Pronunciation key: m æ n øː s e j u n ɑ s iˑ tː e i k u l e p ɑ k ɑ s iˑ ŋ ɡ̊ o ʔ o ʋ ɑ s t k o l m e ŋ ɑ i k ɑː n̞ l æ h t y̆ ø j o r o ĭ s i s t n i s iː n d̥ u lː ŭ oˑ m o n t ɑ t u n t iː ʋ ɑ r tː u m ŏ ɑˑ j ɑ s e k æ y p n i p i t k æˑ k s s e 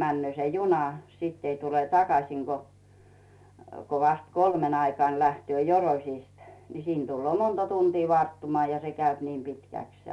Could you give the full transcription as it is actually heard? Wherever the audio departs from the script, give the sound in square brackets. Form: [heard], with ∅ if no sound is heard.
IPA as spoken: m æ [nː] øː s e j u n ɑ s iˑ tː e i [t] u l e [t] ɑ k ɑ s iˑ ŋ ɡ̊ o [k] o ʋ ɑ s t k o l m e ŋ ɑ i k ɑː n̞ l æ h t y̆ ø j o r o ĭ s i s t n i s iː n d̥ u lː ŭ oˑ m o n t ɑ t u n t iː ʋ ɑ r tː u m ŏ ɑˑ j ɑ s e k æ y p n i p i t k æˑ k s s e